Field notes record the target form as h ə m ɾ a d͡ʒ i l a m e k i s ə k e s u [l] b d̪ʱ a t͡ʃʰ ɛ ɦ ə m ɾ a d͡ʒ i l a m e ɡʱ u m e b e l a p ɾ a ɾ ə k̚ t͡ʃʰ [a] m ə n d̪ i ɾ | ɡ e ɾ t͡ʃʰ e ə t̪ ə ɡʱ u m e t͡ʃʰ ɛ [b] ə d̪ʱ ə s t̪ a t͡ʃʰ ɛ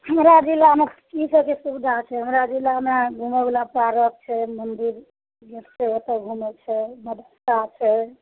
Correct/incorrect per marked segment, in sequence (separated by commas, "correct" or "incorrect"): incorrect, incorrect, incorrect